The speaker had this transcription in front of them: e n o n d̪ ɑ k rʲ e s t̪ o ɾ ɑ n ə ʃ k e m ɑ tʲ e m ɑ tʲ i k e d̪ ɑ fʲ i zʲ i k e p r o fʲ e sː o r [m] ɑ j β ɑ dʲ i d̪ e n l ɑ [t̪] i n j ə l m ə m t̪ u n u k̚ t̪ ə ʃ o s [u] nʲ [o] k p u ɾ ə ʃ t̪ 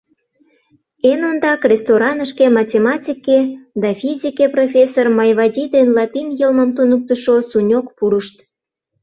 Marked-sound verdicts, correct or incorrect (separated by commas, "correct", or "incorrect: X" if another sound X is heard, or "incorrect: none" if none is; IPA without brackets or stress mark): correct, correct, correct, correct